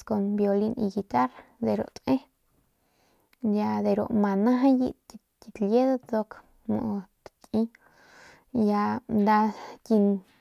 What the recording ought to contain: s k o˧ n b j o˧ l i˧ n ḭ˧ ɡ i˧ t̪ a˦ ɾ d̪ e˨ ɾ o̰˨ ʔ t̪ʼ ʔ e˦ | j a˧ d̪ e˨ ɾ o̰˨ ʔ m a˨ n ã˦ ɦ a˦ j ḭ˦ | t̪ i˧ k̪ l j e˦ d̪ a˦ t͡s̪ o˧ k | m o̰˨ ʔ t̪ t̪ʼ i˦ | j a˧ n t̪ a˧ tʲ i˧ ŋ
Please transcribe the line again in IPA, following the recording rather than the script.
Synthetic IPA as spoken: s k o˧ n b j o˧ l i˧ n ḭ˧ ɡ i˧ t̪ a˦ ɾ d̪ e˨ ɾ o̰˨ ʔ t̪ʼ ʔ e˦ | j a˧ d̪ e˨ ɾ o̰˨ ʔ m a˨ n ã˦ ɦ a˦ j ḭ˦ | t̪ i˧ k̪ l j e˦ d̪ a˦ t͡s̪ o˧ k | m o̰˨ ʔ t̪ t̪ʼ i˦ | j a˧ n d̪ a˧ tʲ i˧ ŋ